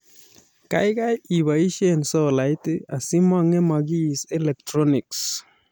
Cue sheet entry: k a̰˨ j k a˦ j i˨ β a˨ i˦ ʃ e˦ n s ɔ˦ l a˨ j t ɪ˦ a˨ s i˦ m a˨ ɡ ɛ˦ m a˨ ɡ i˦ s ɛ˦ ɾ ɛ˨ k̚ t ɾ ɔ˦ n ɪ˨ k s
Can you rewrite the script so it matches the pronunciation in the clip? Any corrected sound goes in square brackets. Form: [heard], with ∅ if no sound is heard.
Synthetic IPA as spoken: k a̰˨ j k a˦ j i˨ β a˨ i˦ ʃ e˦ n s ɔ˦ l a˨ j t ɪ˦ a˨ s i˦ m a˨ [ŋ] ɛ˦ m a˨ ɡ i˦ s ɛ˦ [l] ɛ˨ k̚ t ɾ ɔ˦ n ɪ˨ k s

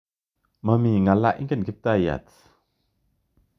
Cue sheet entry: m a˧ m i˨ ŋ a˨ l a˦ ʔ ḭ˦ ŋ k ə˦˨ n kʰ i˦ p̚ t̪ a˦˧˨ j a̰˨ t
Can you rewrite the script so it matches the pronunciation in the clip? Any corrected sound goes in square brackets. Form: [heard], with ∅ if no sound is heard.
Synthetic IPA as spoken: m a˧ m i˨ ŋ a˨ l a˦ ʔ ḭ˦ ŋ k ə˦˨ n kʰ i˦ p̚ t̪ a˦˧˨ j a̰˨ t

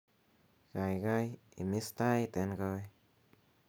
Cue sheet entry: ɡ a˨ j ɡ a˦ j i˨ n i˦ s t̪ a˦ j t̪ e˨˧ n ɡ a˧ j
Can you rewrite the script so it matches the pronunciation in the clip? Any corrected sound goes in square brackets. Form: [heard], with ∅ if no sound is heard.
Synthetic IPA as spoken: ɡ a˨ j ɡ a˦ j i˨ [m] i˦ s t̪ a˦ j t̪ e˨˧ n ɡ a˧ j

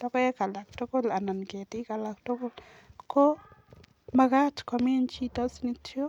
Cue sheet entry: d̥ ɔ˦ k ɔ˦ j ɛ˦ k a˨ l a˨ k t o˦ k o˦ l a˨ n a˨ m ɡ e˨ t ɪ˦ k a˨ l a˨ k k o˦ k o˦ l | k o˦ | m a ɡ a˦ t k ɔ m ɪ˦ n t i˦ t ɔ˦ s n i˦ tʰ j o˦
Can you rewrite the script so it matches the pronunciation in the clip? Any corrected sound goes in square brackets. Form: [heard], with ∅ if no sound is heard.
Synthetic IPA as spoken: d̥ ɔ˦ k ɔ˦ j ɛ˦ k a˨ l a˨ k t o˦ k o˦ l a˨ n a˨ [n] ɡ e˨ t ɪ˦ k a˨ l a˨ k [t] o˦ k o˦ l | k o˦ | m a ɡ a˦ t k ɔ m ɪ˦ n [t͡ʃ] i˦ t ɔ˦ s n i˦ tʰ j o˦

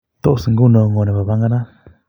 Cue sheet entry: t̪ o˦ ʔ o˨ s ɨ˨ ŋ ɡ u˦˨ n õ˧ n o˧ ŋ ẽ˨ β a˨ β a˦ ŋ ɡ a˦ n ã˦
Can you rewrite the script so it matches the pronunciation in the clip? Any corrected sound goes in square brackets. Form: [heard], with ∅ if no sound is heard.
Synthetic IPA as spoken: t̪ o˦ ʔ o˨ s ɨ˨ ŋ ɡ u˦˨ n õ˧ [ŋ] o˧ [n] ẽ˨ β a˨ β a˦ ŋ ɡ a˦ n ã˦

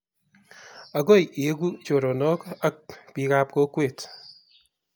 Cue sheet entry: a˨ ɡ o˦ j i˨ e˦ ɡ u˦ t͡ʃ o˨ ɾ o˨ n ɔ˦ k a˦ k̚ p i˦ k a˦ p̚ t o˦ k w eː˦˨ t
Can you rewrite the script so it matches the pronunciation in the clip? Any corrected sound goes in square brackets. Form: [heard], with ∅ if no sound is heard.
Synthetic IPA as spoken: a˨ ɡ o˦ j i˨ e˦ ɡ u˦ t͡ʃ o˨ ɾ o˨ n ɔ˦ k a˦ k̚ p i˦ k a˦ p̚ [k] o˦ k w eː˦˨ t

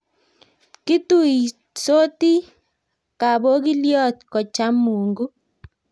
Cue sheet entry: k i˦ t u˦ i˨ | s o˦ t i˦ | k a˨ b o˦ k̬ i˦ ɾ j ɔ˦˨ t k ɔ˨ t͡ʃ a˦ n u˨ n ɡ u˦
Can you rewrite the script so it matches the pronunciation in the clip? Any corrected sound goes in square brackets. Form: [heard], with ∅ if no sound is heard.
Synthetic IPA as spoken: k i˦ t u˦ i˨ | s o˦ t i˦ | k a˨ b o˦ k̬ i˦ [l] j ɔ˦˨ t k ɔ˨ t͡ʃ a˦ [m] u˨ [ŋ] ɡ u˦

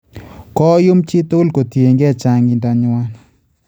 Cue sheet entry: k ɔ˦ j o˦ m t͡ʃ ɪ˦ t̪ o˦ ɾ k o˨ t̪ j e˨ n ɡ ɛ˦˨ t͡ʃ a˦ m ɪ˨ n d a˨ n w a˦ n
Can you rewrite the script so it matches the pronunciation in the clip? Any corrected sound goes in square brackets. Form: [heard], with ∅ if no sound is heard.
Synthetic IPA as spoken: k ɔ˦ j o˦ m t͡ʃ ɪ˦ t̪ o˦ [l] k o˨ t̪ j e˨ [ŋ] ɡ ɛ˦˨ t͡ʃ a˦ [ŋ] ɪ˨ n d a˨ [ɲ] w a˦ n

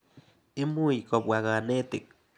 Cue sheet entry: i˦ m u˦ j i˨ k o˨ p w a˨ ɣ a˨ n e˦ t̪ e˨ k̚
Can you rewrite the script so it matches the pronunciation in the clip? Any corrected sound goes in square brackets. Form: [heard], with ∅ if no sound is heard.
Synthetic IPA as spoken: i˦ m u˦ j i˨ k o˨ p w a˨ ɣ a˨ n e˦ t̪ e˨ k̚

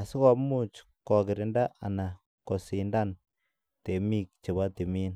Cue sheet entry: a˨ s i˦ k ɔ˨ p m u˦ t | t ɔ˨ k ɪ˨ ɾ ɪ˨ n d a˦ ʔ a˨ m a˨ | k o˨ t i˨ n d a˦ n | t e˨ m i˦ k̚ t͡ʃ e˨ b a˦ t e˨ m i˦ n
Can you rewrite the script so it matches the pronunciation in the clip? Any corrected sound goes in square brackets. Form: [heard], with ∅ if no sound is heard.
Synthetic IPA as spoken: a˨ s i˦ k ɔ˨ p m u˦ [t͡ʃ] | [k] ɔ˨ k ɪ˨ ɾ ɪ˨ n d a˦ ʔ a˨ [n] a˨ | k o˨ [s] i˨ n d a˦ n | t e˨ m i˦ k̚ t͡ʃ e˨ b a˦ t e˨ m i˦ n

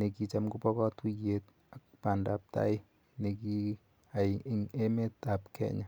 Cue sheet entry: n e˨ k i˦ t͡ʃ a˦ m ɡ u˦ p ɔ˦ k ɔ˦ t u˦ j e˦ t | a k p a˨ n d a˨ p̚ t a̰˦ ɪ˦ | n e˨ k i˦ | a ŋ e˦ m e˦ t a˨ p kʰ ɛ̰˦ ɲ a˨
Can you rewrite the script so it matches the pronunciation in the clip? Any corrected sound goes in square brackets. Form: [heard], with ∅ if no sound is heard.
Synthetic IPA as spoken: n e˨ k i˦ t͡ʃ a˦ m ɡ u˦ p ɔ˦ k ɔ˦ t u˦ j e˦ t | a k p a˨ n d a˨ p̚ t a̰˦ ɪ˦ | n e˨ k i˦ | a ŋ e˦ m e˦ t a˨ p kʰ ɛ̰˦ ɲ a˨

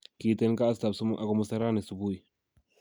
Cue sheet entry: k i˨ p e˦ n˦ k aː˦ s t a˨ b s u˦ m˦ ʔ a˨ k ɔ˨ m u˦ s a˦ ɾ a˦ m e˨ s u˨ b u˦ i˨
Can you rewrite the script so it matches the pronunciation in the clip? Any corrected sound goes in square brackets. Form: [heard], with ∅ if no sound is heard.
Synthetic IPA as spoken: k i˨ [t] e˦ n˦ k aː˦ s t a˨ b s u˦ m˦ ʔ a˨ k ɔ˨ m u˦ s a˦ ɾ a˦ [n] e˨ s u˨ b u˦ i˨

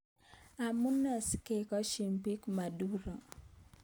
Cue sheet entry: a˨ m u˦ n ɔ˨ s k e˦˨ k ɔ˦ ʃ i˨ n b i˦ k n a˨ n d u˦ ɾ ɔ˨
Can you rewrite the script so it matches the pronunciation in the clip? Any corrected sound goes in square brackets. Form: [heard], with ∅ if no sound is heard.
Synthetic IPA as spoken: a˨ m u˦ n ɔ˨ s k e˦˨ k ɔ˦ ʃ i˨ [m] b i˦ k [m] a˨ [∅] d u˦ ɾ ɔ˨

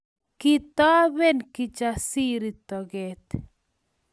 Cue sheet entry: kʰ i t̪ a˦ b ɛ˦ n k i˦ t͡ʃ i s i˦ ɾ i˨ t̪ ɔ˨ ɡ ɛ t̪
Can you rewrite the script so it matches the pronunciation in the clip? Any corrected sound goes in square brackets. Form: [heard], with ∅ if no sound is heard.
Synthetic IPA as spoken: [k] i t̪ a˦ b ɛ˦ n k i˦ t͡ʃ [a] s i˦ ɾ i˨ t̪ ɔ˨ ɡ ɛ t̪

